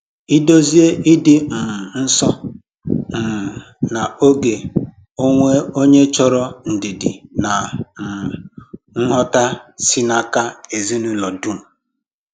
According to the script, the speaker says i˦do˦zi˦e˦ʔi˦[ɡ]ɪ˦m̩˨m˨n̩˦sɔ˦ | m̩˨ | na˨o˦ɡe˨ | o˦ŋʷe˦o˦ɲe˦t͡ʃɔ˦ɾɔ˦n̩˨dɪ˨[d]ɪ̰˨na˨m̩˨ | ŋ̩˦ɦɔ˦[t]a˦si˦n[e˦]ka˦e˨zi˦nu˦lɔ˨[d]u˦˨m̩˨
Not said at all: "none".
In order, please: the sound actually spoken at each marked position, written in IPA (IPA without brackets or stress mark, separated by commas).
d, d, t, a˦, d